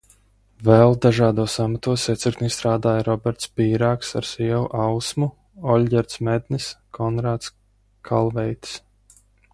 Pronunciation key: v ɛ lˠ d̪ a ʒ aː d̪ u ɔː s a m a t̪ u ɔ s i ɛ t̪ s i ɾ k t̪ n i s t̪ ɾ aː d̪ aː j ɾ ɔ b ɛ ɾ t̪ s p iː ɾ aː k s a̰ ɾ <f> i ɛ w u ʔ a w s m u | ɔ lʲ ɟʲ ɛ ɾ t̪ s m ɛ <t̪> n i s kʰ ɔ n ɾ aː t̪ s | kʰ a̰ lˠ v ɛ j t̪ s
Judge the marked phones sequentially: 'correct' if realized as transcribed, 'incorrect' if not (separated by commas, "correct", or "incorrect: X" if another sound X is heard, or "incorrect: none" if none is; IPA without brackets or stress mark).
incorrect: s, incorrect: d̪